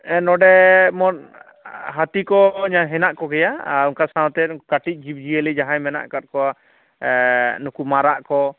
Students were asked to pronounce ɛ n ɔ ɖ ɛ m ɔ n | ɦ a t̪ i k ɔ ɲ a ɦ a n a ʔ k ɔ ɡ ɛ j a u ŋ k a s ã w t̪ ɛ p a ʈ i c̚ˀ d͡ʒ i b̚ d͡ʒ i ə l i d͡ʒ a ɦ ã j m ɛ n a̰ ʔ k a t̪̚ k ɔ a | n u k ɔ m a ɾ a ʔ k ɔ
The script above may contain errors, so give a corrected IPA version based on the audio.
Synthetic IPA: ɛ n ɔ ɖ ɛ m ɔ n | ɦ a t̪ i k ɔ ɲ a ɦ ɛ n a ʔ k ɔ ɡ ɛ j a u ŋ k a s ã w t̪ ɛ k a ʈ i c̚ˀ d͡ʒ i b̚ d͡ʒ i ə l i d͡ʒ a ɦ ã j m ɛ n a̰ ʔ k a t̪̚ k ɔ a | n u k u m a ɾ a ʔ k ɔ